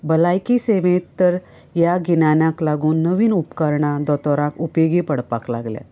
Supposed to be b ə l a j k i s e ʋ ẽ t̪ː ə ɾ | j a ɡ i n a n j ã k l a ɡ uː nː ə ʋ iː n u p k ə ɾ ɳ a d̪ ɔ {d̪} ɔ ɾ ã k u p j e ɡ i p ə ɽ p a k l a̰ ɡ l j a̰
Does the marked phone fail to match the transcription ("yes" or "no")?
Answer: yes